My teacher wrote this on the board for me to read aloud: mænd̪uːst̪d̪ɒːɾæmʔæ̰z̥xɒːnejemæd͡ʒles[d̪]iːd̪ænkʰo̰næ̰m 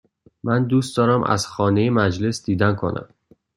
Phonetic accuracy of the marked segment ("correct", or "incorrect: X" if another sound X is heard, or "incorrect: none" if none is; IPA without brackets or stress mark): correct